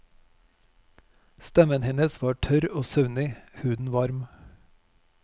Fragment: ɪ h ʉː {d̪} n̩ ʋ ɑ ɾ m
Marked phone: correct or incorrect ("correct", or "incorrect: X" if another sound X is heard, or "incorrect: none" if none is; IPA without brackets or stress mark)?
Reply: correct